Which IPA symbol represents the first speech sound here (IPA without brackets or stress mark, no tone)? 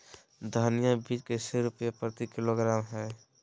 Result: d̪ʱ